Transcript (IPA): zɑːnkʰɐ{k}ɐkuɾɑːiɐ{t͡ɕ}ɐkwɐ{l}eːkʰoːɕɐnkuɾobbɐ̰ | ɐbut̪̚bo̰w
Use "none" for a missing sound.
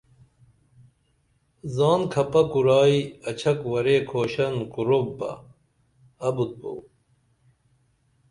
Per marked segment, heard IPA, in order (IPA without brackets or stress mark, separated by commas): p, t͡ɕʰ, ɾ